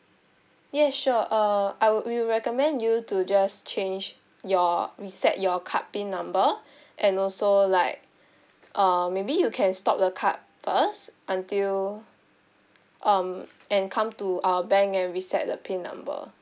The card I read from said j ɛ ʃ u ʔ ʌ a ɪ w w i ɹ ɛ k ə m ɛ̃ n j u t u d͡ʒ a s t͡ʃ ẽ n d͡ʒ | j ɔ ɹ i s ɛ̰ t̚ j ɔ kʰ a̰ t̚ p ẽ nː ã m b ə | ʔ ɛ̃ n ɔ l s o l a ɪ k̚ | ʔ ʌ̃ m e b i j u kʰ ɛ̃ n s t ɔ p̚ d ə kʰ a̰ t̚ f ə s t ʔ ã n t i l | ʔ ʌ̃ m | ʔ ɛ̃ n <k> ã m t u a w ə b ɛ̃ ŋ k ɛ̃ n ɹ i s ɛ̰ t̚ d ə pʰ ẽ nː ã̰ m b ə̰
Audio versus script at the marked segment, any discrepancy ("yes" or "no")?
yes